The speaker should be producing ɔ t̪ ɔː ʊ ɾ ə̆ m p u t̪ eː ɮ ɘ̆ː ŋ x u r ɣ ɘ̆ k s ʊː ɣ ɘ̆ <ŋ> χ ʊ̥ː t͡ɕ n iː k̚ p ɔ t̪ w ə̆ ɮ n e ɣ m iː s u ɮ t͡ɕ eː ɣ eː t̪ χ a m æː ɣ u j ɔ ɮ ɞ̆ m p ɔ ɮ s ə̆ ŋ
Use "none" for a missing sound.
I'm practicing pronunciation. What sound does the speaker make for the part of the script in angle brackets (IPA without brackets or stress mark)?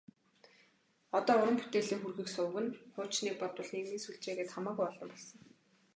n